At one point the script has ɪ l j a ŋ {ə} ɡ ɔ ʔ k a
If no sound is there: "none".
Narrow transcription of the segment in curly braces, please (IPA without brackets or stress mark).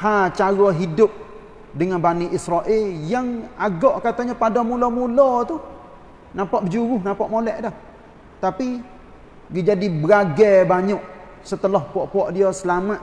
a